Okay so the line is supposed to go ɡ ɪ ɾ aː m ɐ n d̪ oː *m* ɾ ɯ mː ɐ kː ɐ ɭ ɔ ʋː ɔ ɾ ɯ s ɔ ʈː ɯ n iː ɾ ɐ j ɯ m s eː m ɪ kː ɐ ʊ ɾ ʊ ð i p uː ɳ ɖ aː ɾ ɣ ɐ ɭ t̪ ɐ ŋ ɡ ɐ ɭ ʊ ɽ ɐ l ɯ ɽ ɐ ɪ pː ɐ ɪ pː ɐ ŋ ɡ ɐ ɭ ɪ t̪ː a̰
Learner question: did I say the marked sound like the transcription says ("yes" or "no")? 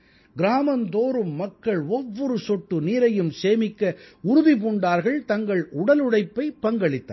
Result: no